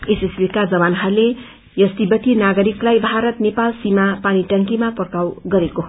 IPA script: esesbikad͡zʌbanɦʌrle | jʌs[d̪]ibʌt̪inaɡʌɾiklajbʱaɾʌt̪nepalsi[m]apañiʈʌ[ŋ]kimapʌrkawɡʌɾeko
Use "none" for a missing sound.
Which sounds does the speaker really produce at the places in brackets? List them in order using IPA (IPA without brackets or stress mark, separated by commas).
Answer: t̪, m, ŋ